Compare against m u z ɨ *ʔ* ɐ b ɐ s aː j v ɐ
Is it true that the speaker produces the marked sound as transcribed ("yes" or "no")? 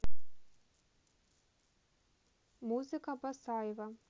no